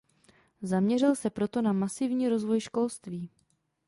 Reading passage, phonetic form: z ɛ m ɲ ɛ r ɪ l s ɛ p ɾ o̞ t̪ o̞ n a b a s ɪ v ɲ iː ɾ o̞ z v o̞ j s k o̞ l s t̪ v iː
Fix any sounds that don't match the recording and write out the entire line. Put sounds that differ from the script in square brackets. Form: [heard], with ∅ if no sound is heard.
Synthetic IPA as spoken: z [a] m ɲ ɛ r ɪ l s ɛ p ɾ o̞ t̪ o̞ n a [m] a s ɪ v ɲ iː ɾ o̞ z v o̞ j [ʃ] k o̞ l s t̪ v iː